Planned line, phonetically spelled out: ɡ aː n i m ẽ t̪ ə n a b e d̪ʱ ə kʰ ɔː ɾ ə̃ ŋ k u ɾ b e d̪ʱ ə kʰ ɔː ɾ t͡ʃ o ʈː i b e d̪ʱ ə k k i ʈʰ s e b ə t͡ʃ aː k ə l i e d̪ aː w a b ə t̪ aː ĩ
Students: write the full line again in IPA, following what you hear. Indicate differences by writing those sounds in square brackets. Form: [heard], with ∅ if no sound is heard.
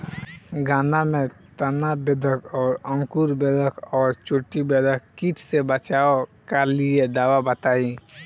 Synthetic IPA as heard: ɡ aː n [a] m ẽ t̪ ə n a b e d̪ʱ ə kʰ ɔː ɾ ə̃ ŋ k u ɾ b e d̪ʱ ə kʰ ɔː ɾ t͡ʃ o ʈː i b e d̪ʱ ə k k i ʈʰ s e b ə t͡ʃ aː k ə l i e d̪ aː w a b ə t̪ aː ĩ